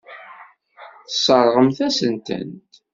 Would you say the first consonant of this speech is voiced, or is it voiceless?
voiceless